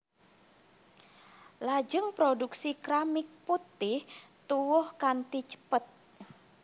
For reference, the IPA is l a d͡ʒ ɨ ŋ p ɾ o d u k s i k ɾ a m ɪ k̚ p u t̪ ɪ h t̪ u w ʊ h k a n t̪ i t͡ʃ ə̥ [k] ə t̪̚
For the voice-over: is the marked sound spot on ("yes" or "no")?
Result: no